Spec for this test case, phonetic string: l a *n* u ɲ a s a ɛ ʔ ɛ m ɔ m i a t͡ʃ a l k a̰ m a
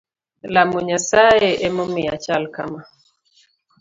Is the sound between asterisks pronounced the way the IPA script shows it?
no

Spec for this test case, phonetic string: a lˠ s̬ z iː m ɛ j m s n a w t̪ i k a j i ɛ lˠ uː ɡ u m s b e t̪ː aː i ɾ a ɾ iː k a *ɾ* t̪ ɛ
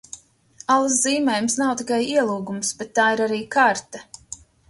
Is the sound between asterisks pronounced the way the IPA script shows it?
yes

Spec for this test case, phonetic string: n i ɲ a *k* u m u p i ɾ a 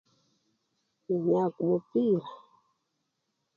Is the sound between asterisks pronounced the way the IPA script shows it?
yes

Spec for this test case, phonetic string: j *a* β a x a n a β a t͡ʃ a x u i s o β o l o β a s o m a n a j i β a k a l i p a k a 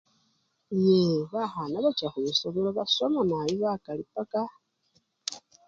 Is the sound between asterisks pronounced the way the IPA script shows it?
no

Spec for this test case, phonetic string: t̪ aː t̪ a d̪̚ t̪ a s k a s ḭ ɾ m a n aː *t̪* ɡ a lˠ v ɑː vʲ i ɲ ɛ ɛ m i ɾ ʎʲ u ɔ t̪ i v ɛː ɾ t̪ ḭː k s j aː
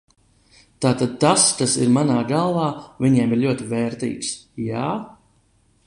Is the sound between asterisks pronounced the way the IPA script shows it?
no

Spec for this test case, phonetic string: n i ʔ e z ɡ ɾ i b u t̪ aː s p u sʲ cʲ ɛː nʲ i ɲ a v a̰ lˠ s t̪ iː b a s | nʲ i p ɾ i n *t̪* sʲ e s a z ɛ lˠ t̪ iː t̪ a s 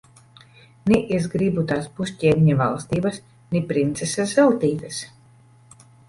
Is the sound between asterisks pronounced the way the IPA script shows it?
yes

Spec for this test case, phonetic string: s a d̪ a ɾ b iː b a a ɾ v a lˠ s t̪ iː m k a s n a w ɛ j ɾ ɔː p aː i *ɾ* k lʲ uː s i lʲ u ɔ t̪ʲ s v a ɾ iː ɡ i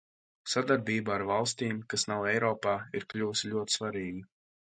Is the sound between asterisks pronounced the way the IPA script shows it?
yes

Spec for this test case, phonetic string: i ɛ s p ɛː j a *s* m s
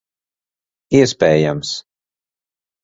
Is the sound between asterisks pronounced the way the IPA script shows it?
no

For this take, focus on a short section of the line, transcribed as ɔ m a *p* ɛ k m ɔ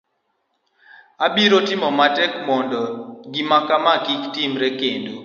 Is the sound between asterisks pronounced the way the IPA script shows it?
no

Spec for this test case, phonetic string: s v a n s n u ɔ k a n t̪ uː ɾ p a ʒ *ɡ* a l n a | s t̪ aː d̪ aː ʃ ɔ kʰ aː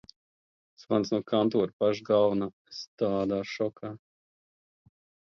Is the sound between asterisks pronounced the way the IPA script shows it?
yes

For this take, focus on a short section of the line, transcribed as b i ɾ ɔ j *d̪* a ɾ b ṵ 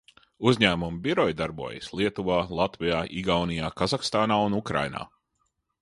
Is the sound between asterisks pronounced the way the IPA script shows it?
yes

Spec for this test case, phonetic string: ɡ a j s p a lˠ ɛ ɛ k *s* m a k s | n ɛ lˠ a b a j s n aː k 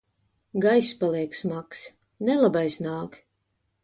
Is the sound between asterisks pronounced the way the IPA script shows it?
yes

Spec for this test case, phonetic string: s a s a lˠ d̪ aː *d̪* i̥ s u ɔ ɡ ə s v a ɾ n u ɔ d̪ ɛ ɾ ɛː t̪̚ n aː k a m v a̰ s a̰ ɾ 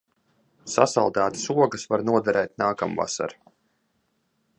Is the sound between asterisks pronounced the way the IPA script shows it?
no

